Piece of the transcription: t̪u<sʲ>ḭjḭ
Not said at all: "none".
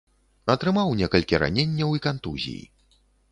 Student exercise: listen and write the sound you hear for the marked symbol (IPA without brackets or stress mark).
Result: zʲ